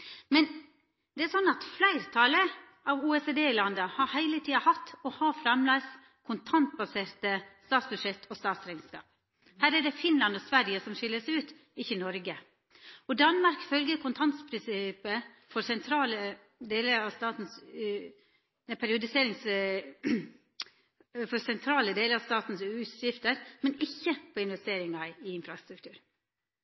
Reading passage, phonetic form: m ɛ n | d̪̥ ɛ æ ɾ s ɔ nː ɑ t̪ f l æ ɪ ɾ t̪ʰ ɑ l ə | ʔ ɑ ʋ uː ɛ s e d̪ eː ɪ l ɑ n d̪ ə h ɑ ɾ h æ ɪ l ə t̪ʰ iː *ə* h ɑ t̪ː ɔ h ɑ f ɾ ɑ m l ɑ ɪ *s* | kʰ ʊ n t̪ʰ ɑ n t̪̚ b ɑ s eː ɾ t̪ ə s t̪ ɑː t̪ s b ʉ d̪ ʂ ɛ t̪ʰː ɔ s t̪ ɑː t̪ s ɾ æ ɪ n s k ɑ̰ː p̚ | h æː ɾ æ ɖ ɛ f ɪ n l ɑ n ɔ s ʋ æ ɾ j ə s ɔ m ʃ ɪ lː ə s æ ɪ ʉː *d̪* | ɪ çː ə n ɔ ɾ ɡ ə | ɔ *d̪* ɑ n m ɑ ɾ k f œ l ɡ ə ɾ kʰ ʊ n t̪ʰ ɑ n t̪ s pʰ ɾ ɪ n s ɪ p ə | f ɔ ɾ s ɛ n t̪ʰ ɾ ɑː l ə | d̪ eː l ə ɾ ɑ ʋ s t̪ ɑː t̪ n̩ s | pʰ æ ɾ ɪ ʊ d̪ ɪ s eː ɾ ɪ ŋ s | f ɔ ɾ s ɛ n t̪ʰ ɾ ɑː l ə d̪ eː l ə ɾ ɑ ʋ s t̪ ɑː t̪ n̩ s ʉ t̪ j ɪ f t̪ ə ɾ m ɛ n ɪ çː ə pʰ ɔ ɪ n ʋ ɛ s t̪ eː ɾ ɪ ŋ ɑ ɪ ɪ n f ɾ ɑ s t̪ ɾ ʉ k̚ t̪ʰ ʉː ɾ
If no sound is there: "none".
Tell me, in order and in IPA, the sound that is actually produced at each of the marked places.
ɑ, s, t̪, d̪

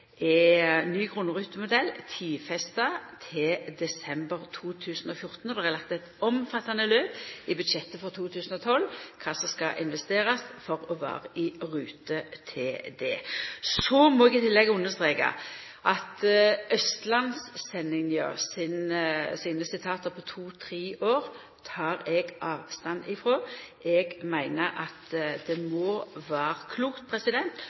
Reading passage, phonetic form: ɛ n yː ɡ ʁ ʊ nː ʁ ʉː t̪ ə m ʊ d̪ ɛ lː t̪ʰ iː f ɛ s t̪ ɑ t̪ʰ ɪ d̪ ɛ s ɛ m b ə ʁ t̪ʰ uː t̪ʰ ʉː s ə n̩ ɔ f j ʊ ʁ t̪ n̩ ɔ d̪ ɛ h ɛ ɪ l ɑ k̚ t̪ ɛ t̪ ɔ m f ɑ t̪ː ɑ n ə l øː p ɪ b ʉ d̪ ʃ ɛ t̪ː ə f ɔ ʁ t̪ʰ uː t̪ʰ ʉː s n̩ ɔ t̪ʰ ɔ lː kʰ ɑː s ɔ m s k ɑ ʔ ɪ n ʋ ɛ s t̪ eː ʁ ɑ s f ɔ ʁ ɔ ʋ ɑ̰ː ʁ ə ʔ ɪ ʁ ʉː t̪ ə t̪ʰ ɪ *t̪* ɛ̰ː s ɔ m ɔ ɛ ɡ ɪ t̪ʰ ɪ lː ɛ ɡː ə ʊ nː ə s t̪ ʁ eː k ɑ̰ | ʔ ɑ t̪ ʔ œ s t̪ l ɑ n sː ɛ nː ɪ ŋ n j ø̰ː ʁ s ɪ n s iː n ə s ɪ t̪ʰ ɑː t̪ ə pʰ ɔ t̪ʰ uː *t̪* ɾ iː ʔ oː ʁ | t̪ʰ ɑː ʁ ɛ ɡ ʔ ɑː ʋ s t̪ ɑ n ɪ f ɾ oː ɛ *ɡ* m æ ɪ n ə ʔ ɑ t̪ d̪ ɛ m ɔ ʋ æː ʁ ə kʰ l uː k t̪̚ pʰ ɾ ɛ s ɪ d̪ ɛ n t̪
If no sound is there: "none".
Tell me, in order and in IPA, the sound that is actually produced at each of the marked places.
d̪, t̪ʰ, ɡ

